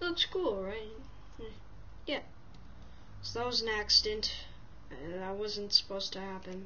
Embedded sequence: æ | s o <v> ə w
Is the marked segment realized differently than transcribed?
yes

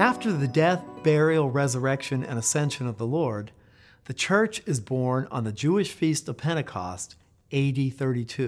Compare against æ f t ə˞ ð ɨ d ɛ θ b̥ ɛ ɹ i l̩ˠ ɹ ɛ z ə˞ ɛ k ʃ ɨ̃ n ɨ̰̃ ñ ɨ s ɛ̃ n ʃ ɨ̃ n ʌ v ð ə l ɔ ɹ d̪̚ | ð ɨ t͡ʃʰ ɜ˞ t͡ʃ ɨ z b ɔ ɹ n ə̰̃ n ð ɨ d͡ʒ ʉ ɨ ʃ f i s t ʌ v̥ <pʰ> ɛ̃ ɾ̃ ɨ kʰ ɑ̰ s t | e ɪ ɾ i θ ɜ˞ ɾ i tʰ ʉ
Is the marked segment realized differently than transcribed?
no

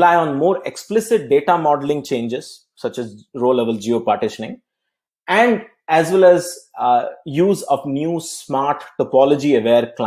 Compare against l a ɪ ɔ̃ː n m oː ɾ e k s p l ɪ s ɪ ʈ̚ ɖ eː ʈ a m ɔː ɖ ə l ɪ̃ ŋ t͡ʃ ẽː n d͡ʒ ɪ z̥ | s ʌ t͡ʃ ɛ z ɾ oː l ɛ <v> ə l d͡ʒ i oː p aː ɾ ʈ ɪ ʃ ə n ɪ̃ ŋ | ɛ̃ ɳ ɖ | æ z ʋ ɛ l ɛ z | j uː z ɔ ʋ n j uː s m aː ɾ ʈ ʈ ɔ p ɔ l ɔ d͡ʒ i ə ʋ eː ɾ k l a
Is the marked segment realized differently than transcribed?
yes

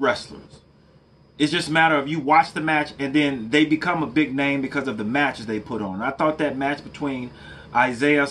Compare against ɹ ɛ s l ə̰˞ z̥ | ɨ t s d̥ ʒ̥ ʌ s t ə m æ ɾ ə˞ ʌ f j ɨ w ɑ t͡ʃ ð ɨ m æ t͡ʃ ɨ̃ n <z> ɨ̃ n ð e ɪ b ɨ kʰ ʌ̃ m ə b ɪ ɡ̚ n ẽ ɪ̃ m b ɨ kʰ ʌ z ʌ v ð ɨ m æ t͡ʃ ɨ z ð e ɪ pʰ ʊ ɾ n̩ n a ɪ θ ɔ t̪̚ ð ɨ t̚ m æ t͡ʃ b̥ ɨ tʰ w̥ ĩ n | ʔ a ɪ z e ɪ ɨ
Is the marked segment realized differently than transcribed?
yes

